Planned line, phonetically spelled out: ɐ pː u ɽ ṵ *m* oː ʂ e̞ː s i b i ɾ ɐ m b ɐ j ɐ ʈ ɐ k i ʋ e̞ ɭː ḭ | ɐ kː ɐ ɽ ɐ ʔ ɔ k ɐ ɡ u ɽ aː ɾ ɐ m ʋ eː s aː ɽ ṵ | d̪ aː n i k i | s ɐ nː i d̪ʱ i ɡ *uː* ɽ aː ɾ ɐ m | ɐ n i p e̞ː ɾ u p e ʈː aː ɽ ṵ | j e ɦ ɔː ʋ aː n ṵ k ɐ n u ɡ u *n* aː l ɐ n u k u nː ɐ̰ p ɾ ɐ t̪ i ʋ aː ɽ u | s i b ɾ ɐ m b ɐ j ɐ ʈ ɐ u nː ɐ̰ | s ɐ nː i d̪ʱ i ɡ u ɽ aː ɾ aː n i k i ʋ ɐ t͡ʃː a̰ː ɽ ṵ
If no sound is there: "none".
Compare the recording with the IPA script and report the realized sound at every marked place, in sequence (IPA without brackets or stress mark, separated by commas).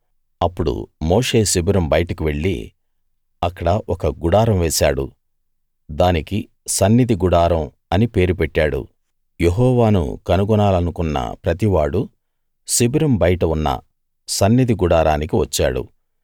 m, u, n